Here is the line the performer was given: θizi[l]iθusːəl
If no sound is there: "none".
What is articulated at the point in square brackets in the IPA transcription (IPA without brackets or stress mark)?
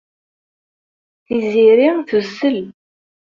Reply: ɾ